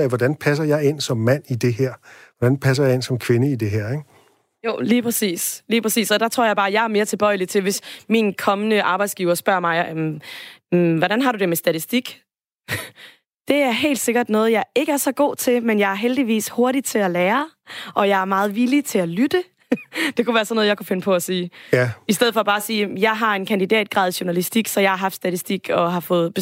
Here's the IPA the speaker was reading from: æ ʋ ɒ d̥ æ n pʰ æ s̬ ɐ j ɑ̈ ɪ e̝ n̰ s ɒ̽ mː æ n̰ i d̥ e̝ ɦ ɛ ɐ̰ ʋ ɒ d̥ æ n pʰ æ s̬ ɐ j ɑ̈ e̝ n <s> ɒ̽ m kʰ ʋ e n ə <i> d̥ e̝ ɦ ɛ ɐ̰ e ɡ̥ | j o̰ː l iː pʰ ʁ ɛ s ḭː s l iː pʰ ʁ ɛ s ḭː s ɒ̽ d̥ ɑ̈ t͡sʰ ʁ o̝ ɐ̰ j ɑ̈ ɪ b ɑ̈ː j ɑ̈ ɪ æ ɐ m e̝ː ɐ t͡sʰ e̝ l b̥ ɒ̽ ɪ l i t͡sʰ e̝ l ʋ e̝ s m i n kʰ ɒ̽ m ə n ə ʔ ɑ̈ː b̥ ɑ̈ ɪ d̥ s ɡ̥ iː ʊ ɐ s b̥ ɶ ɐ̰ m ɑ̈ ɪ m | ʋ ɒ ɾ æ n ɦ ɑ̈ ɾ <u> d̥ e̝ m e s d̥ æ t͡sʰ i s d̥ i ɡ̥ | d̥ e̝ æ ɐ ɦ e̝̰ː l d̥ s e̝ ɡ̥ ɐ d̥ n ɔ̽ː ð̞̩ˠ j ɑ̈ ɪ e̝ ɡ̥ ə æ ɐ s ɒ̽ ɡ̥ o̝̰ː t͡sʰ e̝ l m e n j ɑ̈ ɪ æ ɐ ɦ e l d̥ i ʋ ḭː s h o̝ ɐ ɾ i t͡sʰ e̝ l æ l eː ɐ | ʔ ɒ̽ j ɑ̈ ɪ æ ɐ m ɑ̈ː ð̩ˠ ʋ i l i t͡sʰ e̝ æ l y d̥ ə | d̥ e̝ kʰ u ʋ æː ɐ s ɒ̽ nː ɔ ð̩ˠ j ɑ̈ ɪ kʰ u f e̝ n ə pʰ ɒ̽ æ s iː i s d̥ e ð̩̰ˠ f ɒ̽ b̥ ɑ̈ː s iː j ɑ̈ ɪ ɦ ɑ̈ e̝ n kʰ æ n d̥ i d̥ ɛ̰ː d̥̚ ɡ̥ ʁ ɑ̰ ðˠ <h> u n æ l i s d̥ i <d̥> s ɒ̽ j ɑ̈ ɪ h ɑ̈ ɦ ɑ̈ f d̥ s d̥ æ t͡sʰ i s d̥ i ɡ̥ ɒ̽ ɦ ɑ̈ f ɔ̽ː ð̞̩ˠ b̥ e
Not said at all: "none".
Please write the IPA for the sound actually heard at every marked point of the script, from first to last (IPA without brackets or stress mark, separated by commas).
s, i, u, ɕ, ɡ̥